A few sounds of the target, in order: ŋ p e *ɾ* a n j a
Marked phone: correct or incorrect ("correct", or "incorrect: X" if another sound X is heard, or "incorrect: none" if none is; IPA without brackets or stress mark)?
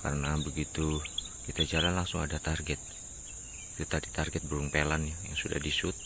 incorrect: l